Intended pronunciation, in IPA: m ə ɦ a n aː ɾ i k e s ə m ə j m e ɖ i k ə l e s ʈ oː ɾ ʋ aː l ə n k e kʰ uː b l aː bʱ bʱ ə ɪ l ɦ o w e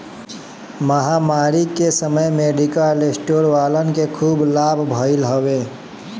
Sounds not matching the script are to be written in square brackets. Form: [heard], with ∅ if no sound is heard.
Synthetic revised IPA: m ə ɦ a [m] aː ɾ i k e s ə m ə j m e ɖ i k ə l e s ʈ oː ɾ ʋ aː l ə n k e kʰ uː b l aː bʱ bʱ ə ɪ l ɦ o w e